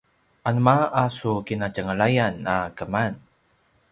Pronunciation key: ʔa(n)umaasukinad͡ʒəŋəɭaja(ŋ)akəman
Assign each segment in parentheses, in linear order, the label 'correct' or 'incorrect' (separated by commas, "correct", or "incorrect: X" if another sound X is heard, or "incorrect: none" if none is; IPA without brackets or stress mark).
correct, incorrect: n